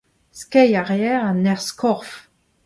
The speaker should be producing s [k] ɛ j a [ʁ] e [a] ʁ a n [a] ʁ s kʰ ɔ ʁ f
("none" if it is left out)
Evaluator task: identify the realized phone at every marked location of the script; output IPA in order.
k, ʁ, ɛ, ɛ

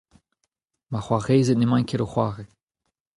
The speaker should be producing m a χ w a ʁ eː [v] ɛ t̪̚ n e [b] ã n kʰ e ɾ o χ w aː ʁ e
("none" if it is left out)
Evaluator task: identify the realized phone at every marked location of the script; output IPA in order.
z, m

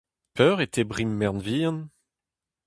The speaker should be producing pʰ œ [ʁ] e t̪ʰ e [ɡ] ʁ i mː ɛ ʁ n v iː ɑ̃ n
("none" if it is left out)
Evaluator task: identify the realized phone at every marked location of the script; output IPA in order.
ʁ, b

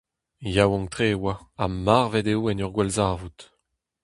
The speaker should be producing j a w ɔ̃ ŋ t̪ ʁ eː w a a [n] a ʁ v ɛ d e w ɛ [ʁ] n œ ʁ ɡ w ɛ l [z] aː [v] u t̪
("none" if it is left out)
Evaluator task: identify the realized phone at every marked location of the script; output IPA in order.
m, none, z, v

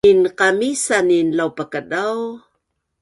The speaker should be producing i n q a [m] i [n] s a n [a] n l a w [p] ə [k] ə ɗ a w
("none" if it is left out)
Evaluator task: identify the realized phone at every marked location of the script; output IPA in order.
m, none, i, p, k

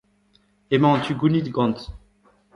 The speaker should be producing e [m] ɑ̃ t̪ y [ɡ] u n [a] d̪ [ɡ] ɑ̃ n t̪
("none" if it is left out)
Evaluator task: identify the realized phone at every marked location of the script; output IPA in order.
m, ɡ, i, ɡ

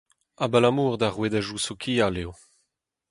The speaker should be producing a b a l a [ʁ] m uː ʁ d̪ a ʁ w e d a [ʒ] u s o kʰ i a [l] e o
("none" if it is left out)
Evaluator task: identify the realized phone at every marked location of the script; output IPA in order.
none, ʒ, l

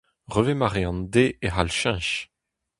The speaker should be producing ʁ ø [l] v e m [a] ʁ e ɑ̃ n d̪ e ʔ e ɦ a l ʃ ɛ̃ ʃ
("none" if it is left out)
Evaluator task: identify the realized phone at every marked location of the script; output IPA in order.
none, a

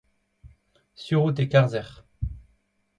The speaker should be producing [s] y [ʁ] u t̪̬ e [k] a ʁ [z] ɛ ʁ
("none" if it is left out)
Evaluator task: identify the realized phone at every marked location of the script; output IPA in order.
s, ʁ, k, z

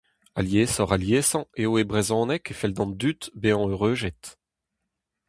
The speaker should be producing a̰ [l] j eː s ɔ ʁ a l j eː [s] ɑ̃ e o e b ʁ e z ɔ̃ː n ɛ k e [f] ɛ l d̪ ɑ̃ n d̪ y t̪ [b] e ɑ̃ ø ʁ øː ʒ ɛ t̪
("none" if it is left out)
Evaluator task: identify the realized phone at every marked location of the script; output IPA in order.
l, s, f, b

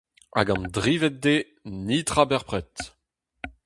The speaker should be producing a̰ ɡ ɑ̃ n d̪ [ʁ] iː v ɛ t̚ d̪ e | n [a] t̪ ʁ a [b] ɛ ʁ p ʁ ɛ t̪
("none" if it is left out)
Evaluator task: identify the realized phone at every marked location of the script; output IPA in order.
ʁ, i, b

